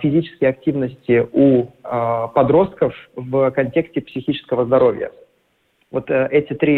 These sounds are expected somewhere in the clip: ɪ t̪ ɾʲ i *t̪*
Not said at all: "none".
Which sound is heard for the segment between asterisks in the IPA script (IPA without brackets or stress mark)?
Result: none